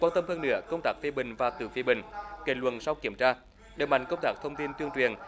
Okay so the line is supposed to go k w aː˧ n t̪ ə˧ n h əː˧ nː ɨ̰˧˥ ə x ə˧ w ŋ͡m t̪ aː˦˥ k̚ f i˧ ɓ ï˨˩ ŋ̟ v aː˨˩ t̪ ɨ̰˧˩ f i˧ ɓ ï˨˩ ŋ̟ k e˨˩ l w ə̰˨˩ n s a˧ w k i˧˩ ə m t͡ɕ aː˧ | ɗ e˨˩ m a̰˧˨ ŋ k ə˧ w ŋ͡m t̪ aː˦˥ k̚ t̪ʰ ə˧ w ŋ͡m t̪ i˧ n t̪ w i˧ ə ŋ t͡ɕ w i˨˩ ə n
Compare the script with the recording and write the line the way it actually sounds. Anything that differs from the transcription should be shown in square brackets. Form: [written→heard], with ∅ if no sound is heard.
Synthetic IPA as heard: k w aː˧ n t̪ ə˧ [n→m] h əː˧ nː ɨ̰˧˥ ə [x→k] ə˧ w ŋ͡m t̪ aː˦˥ k̚ f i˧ ɓ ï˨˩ ŋ̟ v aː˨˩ t̪ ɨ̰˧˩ f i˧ ɓ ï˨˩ ŋ̟ k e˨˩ l w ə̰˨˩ n s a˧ w k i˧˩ ə m t͡ɕ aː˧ | ɗ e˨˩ m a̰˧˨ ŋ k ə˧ w ŋ͡m t̪ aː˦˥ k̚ t̪ʰ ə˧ w ŋ͡m t̪ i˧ n t̪ w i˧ ə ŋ t͡ɕ w i˨˩ ə n